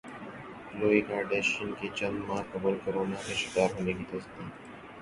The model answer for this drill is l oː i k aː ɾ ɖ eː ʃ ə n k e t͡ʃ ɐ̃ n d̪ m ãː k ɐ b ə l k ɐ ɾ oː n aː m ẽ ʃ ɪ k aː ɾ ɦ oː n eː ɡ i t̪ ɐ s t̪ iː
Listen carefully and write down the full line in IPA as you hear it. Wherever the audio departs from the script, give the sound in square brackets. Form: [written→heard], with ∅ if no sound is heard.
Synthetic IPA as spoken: l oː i k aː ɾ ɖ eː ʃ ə n k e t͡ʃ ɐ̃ n d̪ m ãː k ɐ b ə l k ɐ ɾ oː n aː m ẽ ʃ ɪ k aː ɾ ɦ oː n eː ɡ i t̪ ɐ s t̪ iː

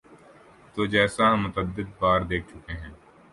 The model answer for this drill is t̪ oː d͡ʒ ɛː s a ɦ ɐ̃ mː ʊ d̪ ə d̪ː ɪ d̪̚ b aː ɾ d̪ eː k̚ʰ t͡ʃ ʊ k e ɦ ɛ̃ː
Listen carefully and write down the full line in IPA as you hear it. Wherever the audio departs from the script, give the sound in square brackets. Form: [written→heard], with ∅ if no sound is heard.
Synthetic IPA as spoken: t̪ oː d͡ʒ ɛː s a ɦ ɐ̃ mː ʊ [d̪→t̪] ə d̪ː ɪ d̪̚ b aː ɾ d̪ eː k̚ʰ t͡ʃ ʊ k e ɦ ɛ̃ː

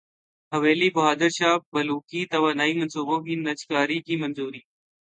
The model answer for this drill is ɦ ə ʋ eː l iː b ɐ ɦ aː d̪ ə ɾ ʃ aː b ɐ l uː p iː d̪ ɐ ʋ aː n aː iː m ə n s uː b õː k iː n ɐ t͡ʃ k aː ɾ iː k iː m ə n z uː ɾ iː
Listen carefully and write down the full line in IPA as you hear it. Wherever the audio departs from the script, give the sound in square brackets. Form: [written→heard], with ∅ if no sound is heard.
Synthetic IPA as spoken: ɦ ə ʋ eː l iː b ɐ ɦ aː d̪ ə ɾ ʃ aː b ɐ l uː [p→k] iː [d̪→t̪] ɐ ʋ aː n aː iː m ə n s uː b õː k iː n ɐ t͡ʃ k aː ɾ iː k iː m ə n z uː ɾ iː

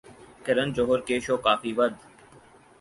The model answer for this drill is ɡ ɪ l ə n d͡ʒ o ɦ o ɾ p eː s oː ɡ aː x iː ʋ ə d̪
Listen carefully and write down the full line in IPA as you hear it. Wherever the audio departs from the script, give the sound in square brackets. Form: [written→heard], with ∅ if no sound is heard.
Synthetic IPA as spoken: [ɡ→k] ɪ [l→ɾ] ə n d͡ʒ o ɦ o ɾ [p→k] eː [s→ʃ] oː [ɡ→k] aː [x→f] iː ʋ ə d̪

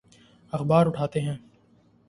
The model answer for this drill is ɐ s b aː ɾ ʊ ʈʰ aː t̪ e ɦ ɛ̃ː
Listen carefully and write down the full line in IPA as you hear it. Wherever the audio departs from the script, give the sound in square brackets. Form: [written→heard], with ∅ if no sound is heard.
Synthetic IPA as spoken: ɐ [s→x] b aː ɾ ʊ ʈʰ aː t̪ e ɦ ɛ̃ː

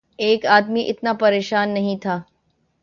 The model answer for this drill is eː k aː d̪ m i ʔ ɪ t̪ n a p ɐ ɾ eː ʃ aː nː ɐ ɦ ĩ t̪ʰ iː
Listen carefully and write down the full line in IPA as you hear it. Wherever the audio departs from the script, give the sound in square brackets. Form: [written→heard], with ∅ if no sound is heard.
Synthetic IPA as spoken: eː k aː d̪ m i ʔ ɪ t̪ n a p ɐ ɾ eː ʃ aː nː ɐ ɦ ĩ t̪ʰ [iː→aː]

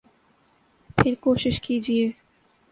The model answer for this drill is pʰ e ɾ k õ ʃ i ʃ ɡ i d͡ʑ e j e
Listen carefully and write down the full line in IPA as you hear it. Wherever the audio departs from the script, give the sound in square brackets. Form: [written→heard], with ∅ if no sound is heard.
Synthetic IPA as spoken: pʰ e ɾ k [õ→o] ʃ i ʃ [ɡ→k] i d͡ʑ [e→i] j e

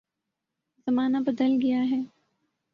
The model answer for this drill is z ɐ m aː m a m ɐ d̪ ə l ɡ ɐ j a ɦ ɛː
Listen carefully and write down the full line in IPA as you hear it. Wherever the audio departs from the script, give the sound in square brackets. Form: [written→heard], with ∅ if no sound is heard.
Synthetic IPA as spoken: z ɐ m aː [m→n] a [m→b] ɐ d̪ ə l ɡ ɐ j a ɦ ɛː

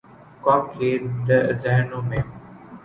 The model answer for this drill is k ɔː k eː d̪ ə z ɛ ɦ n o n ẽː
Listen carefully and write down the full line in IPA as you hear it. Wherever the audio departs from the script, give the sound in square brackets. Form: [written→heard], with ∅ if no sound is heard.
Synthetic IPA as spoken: k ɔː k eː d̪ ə z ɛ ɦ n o [n→m] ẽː

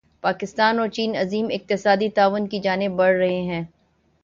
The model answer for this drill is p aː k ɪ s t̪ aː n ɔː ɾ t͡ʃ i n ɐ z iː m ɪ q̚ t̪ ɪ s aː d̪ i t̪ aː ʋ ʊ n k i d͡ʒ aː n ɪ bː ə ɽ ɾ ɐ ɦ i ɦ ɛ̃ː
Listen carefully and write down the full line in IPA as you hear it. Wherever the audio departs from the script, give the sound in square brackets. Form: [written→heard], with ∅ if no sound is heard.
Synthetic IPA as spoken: p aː k ɪ s t̪ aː n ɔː ɾ t͡ʃ [i→iː] n ɐ z iː m ɪ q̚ t̪ ɪ s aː d̪ i t̪ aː ʋ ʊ n k i d͡ʒ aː n ɪ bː [ə→ɐ] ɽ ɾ ɐ ɦ [i→e] ɦ ɛ̃ː

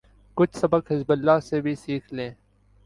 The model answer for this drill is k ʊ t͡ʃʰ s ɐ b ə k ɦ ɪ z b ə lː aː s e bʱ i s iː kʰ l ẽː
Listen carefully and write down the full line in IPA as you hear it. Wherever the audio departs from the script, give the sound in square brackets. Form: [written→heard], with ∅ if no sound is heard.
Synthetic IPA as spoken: k ʊ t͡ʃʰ s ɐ b ə k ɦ ɪ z b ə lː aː s e bʱ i s iː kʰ l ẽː

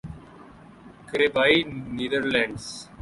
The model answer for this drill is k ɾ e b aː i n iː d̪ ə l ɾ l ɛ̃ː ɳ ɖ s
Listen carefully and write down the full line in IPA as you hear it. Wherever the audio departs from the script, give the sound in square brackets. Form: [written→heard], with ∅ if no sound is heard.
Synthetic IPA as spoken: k ɾ e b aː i n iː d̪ ə [l→∅] ɾ l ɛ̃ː ɳ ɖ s

